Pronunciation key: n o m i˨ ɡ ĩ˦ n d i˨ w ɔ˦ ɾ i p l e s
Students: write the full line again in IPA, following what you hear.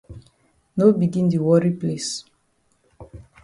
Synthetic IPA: n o b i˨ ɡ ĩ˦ n d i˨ w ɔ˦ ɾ i p l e s